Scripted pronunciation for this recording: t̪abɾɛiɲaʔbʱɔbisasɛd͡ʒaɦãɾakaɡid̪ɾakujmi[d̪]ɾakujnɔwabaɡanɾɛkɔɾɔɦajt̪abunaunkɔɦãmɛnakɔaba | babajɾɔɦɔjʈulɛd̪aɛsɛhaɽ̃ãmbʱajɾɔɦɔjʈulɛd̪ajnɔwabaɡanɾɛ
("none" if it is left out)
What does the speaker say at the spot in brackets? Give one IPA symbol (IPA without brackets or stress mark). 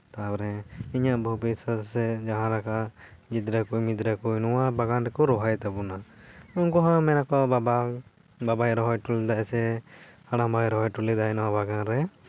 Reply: d̪